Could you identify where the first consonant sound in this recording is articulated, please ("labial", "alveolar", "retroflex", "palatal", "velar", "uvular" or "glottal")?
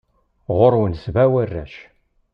uvular